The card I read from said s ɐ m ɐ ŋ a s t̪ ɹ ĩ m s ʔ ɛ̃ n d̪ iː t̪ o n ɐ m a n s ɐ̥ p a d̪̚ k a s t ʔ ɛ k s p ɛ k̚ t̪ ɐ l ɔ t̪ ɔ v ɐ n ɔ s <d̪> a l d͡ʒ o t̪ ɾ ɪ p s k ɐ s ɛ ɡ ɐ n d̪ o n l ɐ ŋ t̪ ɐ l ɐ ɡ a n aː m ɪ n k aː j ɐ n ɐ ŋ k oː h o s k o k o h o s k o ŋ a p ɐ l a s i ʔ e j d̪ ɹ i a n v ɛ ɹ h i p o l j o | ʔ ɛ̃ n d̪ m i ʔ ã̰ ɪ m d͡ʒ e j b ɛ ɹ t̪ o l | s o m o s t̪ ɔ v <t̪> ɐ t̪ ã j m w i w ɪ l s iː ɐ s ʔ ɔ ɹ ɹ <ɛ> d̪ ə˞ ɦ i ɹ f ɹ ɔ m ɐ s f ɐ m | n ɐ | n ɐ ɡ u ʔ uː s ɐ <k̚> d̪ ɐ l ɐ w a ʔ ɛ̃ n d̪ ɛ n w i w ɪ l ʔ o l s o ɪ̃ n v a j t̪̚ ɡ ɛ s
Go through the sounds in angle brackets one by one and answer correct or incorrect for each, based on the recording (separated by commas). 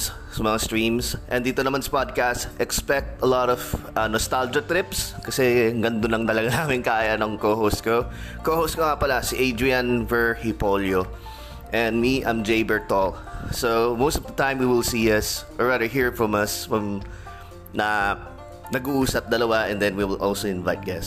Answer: incorrect, incorrect, incorrect, incorrect